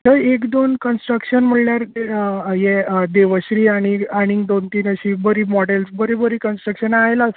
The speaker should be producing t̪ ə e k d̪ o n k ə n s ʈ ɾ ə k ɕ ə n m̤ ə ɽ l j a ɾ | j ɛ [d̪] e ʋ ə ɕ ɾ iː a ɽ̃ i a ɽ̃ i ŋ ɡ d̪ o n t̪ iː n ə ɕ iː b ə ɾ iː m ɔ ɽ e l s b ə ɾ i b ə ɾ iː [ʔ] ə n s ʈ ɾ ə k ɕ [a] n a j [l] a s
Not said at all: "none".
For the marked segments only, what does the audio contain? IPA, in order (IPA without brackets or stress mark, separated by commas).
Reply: d̪, k, ə, l